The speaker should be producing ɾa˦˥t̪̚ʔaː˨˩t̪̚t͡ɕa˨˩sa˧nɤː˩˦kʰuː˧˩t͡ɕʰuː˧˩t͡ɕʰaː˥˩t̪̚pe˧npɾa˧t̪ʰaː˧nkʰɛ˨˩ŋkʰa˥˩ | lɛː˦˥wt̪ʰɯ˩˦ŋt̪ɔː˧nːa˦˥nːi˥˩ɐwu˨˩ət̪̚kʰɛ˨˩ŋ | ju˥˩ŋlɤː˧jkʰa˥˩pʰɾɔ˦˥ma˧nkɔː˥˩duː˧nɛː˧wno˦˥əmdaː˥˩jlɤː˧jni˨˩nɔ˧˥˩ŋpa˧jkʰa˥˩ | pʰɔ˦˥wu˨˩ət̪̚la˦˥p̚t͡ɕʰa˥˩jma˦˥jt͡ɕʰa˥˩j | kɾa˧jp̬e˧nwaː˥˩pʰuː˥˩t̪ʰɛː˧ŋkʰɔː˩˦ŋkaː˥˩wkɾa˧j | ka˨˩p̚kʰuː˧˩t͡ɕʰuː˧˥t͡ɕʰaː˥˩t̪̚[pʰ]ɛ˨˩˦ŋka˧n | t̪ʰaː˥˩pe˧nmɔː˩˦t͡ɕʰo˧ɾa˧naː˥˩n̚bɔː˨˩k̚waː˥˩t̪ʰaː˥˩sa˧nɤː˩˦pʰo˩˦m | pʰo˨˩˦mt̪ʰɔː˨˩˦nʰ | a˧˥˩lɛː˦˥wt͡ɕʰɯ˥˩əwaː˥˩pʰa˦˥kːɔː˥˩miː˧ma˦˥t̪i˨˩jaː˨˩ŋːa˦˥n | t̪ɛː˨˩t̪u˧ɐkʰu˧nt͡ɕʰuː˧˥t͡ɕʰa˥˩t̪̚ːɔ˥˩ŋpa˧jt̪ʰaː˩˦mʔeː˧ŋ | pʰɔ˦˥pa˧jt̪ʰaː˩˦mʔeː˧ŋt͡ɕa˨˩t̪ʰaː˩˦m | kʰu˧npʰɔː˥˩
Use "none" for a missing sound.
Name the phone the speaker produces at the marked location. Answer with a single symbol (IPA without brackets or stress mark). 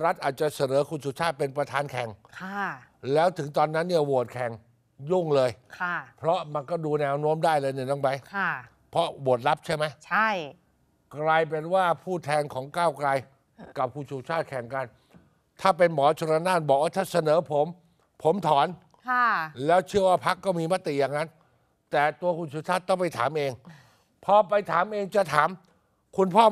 kʰ